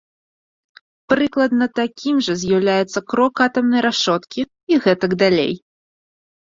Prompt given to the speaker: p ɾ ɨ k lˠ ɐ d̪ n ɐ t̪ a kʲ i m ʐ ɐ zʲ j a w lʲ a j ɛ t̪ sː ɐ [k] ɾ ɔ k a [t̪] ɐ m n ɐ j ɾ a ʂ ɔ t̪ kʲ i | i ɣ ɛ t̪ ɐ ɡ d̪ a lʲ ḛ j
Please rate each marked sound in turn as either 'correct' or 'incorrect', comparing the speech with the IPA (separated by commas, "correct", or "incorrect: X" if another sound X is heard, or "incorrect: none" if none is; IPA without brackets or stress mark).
correct, correct